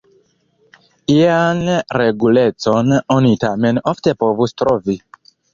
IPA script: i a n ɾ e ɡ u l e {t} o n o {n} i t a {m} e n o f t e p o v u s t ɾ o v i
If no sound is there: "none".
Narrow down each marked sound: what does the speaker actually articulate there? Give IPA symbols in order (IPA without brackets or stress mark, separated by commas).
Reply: t͡s, n, m